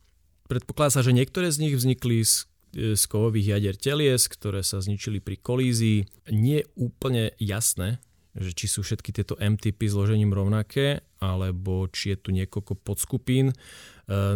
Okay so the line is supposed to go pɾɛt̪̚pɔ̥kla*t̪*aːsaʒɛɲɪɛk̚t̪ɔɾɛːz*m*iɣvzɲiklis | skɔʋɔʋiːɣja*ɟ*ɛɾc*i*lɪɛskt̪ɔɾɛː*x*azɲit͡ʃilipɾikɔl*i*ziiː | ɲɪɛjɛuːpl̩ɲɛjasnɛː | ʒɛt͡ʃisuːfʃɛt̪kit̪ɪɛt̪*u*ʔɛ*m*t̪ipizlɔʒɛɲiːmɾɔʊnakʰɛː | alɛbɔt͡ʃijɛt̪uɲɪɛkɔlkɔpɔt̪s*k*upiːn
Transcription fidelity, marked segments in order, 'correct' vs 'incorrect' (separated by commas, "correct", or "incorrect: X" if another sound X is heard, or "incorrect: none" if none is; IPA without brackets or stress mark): incorrect: d̪, incorrect: ɲ, correct, incorrect: ɛ, incorrect: s, incorrect: iː, incorrect: ɔ, correct, correct